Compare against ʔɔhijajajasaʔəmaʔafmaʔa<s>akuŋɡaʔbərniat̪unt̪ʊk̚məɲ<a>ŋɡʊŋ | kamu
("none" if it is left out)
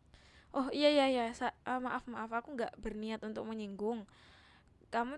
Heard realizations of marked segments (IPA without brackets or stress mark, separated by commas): f, i